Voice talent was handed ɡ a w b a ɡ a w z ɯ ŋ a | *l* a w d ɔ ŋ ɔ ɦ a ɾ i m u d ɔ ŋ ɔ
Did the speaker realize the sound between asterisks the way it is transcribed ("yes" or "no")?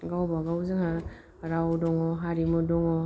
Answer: no